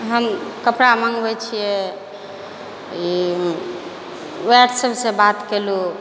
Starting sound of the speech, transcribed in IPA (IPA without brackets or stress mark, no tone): ɦ